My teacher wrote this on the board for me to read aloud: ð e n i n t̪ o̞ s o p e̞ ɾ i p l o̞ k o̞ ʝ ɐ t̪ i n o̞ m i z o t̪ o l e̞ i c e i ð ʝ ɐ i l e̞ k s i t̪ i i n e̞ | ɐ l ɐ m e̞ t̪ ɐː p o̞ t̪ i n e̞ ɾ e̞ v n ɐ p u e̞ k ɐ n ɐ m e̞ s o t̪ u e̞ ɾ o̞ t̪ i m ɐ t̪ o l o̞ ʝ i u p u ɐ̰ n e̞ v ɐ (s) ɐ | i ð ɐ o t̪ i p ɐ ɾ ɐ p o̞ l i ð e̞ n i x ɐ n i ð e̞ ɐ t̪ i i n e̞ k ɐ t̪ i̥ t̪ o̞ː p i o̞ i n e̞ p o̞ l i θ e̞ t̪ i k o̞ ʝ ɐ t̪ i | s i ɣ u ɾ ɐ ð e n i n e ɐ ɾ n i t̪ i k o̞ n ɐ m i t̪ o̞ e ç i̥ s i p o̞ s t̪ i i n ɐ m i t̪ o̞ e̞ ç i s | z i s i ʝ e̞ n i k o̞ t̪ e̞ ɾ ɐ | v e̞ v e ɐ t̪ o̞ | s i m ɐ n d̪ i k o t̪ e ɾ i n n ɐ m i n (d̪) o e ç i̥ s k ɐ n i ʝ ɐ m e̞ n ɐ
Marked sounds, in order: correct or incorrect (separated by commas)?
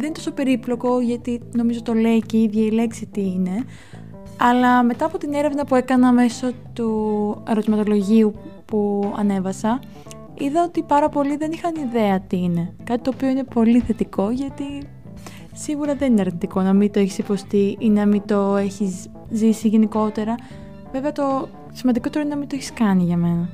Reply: correct, incorrect